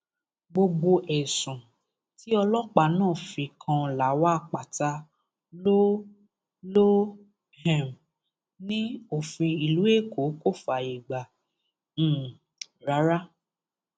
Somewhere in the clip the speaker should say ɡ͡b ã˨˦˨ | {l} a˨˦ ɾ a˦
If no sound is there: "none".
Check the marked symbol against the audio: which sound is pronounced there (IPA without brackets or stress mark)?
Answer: ɾ